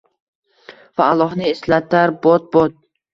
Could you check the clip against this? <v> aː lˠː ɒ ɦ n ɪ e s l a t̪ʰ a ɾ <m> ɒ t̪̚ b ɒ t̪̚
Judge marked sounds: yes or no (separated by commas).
yes, no